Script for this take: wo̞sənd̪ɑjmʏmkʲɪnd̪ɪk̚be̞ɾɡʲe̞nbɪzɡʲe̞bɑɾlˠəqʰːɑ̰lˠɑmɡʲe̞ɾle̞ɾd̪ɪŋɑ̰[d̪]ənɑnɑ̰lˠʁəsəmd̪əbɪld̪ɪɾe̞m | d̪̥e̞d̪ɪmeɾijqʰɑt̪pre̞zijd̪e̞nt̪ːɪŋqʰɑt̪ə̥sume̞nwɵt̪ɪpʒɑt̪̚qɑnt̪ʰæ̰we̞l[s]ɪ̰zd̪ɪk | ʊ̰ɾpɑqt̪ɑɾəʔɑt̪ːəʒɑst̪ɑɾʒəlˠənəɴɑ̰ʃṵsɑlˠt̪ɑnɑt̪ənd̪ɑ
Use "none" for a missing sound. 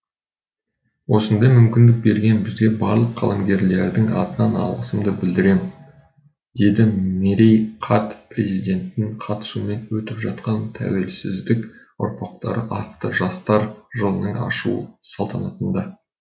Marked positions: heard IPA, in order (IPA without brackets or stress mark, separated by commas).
t̪, s